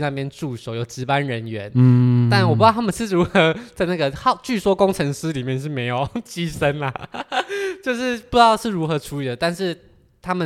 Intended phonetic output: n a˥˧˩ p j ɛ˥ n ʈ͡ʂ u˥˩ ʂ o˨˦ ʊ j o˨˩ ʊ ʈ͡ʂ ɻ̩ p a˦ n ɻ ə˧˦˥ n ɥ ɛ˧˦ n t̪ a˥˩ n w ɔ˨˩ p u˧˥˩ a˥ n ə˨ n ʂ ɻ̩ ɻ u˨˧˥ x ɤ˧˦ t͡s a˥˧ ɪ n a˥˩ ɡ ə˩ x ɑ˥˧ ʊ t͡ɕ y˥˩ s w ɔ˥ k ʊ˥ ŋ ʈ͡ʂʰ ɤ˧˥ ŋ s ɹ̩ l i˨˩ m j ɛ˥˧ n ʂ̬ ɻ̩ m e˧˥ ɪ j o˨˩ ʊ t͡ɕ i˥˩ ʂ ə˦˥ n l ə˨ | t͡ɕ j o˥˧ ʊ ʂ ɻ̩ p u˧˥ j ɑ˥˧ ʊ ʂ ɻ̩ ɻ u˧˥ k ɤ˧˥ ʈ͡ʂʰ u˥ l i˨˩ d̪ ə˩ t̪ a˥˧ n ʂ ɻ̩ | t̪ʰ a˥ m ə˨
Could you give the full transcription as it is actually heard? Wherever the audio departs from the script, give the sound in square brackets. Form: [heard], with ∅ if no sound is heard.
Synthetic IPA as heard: n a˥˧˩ p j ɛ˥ n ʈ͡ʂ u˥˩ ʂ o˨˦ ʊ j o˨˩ ʊ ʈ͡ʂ ɻ̩ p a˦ n ɻ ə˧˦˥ n ɥ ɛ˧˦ n t̪ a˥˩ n w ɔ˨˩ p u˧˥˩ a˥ [m] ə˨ n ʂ ɻ̩ ɻ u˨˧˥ x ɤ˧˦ t͡s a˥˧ ɪ n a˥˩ ɡ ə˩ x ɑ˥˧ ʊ t͡ɕ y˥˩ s w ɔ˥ k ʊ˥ ŋ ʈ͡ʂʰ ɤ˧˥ ŋ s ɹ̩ l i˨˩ m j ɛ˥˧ n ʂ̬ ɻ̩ m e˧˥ ɪ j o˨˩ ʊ t͡ɕ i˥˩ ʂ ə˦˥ n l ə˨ | t͡ɕ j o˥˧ ʊ ʂ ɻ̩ p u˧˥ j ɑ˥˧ ʊ ʂ ɻ̩ ɻ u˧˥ [x] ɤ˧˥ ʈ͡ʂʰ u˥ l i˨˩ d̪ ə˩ t̪ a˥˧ n ʂ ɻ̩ | t̪ʰ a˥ m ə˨